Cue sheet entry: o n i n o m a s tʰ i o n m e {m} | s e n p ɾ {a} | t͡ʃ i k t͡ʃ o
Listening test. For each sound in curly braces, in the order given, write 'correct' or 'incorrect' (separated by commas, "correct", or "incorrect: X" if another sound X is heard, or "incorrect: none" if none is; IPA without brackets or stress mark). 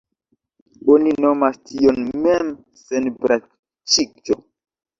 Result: correct, correct